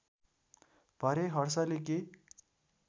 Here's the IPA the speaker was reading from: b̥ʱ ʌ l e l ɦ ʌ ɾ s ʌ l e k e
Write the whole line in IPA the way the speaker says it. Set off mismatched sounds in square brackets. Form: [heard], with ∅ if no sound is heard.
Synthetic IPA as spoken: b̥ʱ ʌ [ɾ] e [∅] ɦ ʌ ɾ s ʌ l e k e